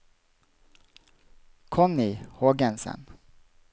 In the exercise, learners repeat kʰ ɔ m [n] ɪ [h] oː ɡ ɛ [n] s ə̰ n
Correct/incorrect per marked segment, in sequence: correct, correct, correct

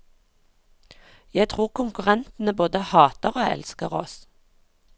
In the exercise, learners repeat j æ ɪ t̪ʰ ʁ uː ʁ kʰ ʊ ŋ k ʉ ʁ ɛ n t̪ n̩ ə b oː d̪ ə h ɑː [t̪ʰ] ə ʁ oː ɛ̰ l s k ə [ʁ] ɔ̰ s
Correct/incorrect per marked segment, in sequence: incorrect, correct

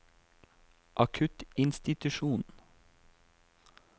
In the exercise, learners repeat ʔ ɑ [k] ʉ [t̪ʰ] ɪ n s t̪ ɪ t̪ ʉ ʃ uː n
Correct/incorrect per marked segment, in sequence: incorrect, incorrect

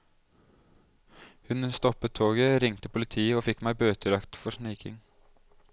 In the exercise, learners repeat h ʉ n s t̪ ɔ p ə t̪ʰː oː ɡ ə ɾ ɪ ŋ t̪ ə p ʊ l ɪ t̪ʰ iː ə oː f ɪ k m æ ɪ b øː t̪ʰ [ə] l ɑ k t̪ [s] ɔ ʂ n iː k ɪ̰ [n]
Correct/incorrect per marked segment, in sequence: correct, incorrect, incorrect

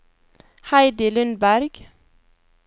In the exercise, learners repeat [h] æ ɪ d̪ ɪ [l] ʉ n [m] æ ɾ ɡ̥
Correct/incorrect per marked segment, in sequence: correct, correct, incorrect

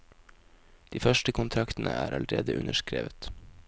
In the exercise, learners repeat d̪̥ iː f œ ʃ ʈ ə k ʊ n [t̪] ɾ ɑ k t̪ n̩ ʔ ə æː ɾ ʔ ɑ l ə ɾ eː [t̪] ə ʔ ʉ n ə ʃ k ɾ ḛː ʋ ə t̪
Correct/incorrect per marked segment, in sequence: incorrect, incorrect

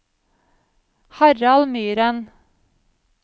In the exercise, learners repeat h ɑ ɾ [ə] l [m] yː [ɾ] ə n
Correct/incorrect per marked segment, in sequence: incorrect, correct, correct

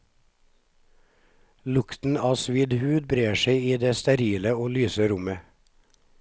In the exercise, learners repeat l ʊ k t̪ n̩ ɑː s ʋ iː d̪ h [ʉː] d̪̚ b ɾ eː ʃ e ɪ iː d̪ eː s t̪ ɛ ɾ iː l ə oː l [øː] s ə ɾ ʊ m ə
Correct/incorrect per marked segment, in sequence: correct, incorrect

